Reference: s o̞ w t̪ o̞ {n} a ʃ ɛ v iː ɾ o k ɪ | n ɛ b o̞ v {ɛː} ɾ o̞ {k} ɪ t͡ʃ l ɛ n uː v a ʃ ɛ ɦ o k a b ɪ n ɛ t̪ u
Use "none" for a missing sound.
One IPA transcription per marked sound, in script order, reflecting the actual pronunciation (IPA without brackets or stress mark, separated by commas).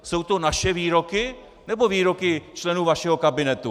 n, iː, k